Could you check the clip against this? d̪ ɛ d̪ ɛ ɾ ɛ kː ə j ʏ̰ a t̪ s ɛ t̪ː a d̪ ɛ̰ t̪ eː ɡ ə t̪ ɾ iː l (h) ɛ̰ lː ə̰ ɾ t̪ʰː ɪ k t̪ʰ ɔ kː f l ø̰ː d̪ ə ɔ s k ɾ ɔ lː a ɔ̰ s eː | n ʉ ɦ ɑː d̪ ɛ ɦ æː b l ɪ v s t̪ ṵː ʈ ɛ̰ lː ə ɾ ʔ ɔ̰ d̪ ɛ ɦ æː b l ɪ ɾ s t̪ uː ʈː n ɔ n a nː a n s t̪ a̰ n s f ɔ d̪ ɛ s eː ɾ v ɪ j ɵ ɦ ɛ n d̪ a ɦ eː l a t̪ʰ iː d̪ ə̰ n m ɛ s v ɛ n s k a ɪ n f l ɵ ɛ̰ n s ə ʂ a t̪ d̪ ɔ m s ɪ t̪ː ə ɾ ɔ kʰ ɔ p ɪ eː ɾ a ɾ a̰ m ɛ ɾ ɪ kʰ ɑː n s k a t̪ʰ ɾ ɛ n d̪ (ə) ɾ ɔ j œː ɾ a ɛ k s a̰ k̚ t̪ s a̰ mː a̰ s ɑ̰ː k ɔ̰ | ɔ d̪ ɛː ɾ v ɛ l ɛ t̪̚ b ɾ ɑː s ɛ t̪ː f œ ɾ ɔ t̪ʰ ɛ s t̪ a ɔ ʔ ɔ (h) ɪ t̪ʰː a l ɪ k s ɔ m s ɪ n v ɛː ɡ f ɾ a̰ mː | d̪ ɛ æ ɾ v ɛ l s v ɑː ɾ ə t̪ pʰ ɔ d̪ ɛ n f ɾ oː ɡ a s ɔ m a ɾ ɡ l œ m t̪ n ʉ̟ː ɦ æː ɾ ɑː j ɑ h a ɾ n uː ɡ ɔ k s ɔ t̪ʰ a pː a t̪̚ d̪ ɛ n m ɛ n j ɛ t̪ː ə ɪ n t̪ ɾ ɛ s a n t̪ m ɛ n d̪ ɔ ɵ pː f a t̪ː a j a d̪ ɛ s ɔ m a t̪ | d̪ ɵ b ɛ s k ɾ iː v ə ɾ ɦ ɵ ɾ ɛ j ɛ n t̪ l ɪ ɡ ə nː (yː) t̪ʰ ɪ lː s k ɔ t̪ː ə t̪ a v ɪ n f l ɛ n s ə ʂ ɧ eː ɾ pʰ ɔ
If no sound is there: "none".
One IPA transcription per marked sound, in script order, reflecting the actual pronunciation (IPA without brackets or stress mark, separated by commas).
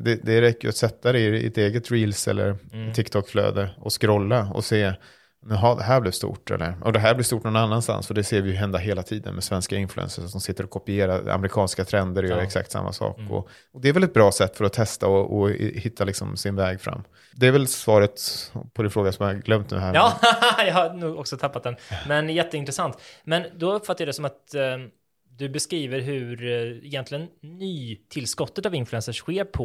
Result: s, ə, h, yː